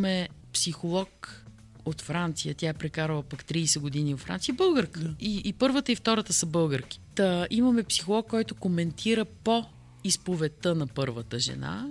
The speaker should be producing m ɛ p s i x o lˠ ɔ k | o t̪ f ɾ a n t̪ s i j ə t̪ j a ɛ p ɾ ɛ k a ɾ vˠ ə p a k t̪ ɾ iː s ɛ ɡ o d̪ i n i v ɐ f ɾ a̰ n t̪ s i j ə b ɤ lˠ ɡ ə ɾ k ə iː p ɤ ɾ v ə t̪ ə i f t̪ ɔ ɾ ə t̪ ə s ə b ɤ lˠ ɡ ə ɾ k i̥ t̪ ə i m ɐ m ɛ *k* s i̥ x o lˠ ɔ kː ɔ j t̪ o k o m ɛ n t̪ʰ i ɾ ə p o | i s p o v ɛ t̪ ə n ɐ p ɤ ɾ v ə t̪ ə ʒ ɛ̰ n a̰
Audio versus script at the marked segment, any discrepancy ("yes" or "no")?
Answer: yes